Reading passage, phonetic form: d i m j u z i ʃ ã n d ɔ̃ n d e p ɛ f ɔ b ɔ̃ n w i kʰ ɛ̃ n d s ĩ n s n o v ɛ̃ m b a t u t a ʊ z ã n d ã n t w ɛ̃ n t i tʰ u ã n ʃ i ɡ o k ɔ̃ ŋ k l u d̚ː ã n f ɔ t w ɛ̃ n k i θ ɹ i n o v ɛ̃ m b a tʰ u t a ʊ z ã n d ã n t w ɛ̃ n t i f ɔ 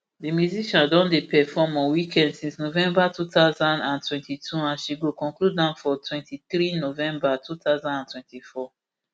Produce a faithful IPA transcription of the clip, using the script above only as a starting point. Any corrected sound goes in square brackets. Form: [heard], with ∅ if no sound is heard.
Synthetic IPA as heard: d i m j u z i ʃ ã n d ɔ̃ n d e p ɛ f ɔ [m] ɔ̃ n w i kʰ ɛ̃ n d s ĩ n s n o v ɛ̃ m b a t u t a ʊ z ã n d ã n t w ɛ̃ n t i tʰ u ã n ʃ i ɡ o k ɔ̃ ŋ k l u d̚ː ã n f ɔ t w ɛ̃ n [t] i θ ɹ i n o v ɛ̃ m b a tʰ u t a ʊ z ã n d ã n t w ɛ̃ n t i f ɔ